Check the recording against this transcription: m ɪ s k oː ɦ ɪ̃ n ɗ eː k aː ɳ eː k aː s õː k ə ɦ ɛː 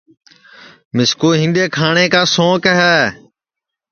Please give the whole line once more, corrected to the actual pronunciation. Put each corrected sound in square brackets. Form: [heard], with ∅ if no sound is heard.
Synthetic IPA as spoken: m ɪ s k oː ɦ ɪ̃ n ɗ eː [kʰ] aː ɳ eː k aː s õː k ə ɦ ɛː